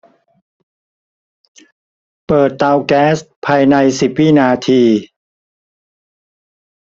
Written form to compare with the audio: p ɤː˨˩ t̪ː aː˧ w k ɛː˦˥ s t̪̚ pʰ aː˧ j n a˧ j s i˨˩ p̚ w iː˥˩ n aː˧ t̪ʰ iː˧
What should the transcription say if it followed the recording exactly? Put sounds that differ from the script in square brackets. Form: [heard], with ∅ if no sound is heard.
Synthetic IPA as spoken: p ɤː˨˩ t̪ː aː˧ w k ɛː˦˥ s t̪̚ pʰ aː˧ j n a˧ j s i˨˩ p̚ w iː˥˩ n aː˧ t̪ʰ iː˧